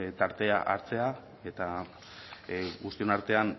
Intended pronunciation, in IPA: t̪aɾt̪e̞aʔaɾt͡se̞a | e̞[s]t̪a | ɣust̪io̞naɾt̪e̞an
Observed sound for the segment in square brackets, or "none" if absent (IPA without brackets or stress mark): none